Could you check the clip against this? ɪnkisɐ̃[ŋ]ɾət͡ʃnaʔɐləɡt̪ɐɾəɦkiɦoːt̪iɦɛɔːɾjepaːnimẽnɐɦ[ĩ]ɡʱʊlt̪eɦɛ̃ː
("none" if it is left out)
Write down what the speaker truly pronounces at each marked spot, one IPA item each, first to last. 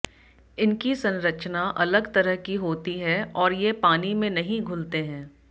n, ĩ

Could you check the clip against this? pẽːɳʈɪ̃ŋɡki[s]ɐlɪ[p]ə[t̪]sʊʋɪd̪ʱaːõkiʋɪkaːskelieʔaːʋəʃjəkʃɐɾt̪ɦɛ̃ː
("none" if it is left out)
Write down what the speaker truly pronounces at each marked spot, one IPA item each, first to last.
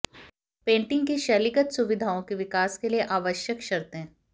ʃ, k, t̪

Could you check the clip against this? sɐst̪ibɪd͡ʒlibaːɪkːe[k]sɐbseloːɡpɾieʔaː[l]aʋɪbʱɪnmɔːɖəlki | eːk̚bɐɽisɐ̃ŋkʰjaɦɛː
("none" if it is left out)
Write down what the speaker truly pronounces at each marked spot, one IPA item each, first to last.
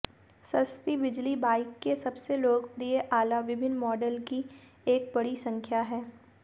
none, l

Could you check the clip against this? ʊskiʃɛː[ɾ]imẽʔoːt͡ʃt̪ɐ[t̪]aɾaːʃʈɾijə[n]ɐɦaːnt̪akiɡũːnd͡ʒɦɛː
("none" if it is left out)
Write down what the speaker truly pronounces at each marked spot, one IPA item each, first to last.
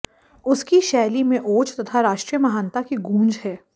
l, t̪ʰ, m

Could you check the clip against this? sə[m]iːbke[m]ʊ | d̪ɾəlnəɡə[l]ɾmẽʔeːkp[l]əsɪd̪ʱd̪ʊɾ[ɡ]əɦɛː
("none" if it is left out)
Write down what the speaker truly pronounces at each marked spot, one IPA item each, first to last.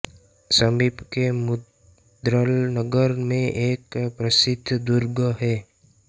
m, m, none, ɾ, ɡ

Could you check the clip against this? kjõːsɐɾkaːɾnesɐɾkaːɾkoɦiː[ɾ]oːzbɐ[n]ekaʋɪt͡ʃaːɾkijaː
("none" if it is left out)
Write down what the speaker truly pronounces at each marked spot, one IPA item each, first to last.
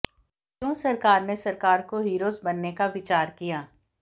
ɾ, nː

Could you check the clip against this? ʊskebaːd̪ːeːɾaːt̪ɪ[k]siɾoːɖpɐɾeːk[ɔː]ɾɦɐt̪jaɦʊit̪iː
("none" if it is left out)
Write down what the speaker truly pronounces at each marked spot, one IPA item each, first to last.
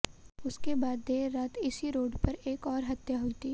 none, ɔː

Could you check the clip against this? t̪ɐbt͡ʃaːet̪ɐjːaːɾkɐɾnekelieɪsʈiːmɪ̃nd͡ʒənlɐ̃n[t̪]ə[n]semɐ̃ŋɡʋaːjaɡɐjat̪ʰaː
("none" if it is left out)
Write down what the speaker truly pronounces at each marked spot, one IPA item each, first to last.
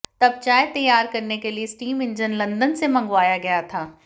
d̪, n

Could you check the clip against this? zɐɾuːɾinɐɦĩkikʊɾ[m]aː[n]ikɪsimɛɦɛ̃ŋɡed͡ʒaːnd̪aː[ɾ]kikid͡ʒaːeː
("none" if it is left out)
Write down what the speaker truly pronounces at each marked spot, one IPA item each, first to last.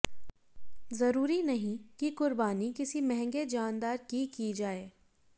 b, n, ɾ

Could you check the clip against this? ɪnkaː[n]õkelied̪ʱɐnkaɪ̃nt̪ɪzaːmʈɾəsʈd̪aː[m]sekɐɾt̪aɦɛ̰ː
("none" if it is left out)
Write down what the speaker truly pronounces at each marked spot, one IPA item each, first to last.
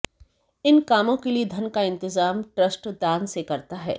m, n

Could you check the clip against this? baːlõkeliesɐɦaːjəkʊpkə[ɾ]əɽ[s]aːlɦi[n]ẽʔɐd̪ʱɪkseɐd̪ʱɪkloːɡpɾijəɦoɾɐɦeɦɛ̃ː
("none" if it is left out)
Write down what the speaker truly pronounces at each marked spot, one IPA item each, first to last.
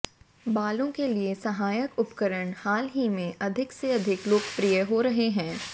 ɾ, h, m

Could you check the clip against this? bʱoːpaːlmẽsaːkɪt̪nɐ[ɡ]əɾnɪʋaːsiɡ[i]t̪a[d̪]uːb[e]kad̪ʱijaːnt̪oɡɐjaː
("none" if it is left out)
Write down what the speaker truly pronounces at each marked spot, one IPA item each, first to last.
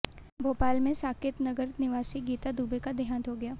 ɡ, iː, d̪, e

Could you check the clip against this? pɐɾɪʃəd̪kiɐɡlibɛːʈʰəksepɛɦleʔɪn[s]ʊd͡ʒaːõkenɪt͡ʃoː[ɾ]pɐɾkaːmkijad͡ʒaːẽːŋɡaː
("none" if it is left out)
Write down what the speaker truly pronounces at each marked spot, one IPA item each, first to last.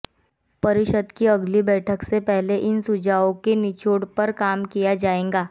s, ɽ

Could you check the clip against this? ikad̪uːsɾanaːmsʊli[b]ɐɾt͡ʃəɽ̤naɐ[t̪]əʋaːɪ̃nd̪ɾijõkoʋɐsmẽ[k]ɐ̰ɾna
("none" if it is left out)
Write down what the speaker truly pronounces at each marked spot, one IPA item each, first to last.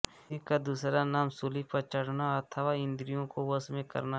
p, t̪ʰ, k

